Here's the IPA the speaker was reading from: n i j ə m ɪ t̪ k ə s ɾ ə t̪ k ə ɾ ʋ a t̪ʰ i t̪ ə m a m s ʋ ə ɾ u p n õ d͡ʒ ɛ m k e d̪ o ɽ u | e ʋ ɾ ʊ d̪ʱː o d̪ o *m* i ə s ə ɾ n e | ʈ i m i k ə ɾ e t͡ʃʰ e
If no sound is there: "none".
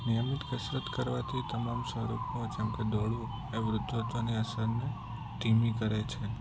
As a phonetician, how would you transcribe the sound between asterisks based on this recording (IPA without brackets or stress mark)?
n